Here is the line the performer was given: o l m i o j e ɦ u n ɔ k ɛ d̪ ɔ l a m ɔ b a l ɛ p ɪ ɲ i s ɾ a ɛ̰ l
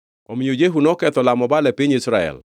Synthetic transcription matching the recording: o m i o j e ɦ u n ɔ k ɛ t̪ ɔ l a m ɔ b a l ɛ p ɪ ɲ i s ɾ a ɛ̰ l

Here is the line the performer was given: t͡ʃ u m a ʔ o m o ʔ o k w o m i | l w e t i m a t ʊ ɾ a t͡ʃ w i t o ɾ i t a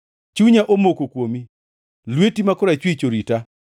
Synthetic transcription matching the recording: t͡ʃ u ɲ a ʔ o m o k o k w o m i | l w e t i m a k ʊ ɾ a t͡ʃ w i t͡ʃ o ɾ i t a

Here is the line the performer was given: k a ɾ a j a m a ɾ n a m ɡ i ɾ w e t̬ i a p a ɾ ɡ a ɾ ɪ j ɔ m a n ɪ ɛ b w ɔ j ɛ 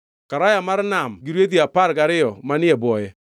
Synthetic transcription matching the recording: k a ɾ a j a m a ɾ n a m ɡ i ɾ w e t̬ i a p a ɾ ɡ a ɾ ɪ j ɔ m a n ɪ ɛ b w ɔ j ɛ

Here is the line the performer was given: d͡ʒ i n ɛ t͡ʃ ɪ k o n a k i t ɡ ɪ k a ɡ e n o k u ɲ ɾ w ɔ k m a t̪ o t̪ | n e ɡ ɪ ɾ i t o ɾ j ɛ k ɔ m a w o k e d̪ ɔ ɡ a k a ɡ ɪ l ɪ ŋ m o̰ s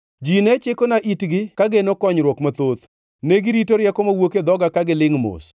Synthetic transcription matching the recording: d͡ʒ i n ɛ t͡ʃ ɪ k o n a ʔ i t ɡ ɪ k a ɡ e n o k ɔ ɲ ɾ w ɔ k m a t̪ o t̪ | n e ɡ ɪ ɾ i t o ɾ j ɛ k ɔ m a w o k e d̪ ɔ ɡ a k a ɡ ɪ l ɪ ŋ m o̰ s

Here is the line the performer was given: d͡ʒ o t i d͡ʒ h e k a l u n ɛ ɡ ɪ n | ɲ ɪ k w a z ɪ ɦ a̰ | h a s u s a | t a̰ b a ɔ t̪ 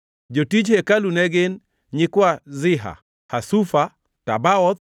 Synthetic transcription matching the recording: d͡ʒ o t i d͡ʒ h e k a l u n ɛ ɡ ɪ n | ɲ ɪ k w a z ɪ ɦ a̰ | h a s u f a | t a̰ b a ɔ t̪

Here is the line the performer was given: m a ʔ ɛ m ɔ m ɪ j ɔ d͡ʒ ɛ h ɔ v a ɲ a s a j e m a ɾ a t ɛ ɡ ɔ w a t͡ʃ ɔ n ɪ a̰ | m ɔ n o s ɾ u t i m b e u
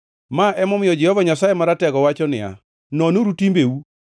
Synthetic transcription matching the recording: m a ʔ ɛ m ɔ m ɪ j ɔ d͡ʒ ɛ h ɔ v a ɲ a s a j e m a ɾ a t ɛ ɡ ɔ w a t͡ʃ ɔ n ɪ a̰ | n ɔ n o ɾ u t i m b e u

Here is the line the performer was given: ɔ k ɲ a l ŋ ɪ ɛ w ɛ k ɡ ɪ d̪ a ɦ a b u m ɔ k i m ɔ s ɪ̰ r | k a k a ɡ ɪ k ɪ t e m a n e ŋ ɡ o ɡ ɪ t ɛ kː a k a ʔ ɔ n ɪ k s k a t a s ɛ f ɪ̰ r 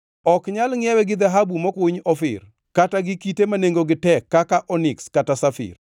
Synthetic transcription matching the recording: ɔ k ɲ a l ŋ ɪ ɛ w ɛ ɡ ɪ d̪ a ɦ a b u m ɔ k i ɲ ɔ f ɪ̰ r | k a t a ɡ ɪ k i t e m a n e ŋ ɡ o ɡ ɪ t ɛ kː a k a ʔ ɔ n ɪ k s k a t a s a f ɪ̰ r

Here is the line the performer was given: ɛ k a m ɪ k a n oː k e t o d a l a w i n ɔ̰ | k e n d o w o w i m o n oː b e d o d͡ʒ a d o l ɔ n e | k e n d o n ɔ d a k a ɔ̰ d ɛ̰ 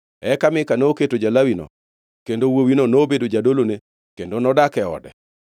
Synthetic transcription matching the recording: ɛ k a m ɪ k a n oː k e t o d͡ʒ a l a w i n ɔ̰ | k e n d o w o w i n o n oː b e d o d͡ʒ a d o l o n e | k e n d o n ɔ d a k ɛ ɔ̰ d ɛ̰

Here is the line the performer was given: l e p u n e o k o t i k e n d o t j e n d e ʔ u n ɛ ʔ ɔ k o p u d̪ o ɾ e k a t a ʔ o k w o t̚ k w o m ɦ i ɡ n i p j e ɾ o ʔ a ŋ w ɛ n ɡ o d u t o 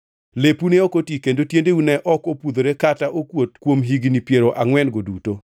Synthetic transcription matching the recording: l e p u n e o k o t i k e n d o t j e n d e u n ɛ ʔ ɔ k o p u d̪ o ɾ e k a t a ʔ o k w o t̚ k w o m ɦ i ɡ n i p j e ɾ o ʔ a ŋ w ɛ n ɡ o d u t o

